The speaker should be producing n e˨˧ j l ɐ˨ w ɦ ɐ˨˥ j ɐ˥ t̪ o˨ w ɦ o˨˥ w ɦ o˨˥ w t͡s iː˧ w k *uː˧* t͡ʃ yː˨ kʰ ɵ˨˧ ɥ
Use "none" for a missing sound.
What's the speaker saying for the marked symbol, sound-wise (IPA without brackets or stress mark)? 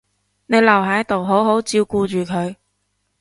uː˧